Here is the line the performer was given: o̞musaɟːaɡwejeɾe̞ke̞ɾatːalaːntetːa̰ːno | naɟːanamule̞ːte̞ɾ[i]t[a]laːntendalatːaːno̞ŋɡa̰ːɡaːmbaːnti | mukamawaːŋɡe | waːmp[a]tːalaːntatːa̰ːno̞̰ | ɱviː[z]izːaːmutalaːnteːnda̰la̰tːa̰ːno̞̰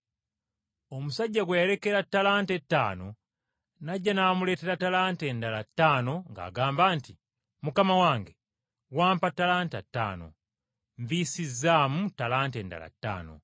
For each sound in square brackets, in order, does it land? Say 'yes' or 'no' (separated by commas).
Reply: no, yes, yes, no